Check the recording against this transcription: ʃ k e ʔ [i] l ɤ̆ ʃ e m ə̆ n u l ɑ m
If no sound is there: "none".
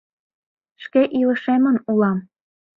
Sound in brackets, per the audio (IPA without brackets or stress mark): i